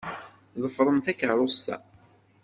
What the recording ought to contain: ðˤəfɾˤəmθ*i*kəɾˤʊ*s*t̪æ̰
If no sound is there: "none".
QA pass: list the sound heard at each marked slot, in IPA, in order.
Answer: æ, s

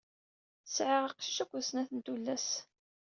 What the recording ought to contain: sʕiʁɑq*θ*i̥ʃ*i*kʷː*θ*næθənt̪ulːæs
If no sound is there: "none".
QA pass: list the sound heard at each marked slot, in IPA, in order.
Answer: ʃ, æ, s

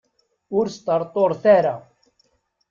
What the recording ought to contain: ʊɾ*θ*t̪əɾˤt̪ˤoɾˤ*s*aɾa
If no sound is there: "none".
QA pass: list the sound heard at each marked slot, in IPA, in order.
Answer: s, θ

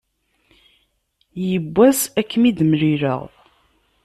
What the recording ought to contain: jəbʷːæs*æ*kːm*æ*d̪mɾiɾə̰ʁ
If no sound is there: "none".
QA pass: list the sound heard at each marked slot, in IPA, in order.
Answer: æ, i

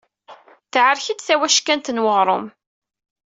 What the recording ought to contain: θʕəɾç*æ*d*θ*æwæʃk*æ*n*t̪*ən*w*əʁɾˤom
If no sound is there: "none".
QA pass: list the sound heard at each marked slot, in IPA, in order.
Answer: i, θ, æ, t̪, w

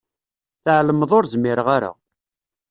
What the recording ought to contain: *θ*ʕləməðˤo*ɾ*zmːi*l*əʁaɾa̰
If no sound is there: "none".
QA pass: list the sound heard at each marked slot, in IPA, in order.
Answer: θ, ɾ, ɾ

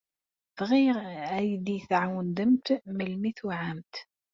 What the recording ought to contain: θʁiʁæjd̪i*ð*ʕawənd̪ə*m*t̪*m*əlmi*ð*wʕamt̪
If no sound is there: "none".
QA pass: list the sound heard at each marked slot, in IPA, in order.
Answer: θ, m, m, θ

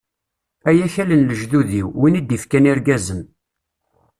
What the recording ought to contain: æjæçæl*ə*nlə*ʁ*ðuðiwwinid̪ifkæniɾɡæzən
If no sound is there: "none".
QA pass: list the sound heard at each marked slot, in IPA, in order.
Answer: ə, ʒ

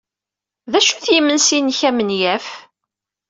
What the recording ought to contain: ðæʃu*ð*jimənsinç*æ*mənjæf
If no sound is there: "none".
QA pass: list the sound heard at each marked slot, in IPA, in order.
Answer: θ, æ

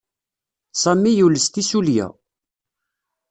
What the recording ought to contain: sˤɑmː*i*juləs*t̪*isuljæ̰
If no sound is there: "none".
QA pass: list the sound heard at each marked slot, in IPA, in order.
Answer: i, t̪

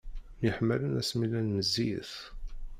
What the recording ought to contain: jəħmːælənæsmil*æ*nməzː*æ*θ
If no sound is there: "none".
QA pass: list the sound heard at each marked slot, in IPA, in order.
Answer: æ, i

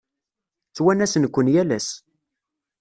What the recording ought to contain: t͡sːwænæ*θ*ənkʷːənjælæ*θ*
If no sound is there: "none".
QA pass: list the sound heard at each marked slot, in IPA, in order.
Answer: s, s

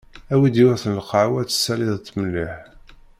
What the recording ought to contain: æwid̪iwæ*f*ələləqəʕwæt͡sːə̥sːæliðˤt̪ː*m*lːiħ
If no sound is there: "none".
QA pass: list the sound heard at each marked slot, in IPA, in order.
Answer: θ, m

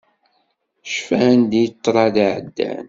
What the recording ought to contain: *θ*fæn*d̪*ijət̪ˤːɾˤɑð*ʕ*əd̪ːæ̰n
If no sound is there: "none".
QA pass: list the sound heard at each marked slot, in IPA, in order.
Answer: ʃ, d̪, ʕ

